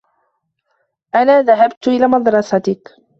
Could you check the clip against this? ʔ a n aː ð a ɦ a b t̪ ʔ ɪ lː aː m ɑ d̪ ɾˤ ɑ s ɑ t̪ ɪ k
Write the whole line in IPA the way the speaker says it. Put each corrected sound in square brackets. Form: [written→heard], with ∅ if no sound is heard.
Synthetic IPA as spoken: ʔ a n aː ð a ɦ a b t̪ ʔ ɪ [lː→l] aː m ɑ d̪ ɾˤ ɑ s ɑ t̪ ɪ k